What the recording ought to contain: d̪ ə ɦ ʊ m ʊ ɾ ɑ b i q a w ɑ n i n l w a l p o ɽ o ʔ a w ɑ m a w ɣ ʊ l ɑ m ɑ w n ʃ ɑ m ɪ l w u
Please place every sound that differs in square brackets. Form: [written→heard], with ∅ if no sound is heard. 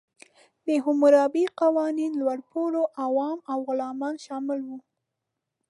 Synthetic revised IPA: d̪ ə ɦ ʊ m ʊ ɾ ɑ b i q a w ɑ n i n l w a [l→ɽ] p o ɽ o ʔ a w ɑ m a w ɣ ʊ l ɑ m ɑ [w→∅] n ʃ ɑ m ɪ l w u